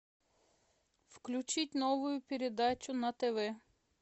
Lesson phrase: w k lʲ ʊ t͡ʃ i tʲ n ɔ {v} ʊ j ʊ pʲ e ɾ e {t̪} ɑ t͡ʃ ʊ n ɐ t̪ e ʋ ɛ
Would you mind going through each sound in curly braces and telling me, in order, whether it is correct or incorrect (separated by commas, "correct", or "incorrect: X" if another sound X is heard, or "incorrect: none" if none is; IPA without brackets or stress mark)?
incorrect: ʋ, incorrect: d̪